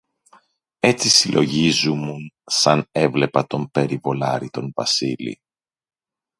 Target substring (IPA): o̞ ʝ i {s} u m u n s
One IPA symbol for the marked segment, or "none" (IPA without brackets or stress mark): z